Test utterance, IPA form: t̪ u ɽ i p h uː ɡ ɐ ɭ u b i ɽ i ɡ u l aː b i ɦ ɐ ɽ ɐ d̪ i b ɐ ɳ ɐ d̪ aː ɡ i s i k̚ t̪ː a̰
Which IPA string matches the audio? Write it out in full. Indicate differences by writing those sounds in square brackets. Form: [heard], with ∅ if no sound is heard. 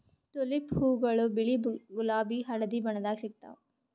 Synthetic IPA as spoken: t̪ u [l] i p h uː ɡ ɐ ɭ u b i [ɭ] i ɡ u l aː b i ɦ ɐ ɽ ɐ d̪ i b ɐ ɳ ɐ d̪ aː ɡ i s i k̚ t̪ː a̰